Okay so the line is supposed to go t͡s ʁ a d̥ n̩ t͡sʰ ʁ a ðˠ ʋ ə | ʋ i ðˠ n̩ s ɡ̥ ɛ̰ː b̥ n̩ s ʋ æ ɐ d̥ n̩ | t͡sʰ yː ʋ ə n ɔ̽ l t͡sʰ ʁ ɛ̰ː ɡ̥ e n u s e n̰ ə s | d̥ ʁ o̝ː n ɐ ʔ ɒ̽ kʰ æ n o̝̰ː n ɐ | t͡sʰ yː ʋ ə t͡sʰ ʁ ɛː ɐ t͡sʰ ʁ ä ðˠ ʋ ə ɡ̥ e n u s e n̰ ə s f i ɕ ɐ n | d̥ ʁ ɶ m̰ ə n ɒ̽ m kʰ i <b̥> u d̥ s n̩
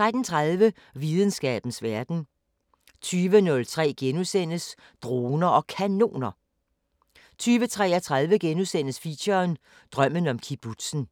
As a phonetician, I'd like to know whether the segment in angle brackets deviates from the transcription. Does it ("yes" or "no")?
no